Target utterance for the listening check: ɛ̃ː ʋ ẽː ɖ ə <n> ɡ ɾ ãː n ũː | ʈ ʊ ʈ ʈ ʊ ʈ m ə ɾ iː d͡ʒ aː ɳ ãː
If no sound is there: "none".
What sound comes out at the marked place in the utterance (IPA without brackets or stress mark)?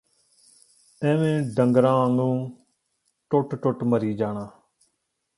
ŋ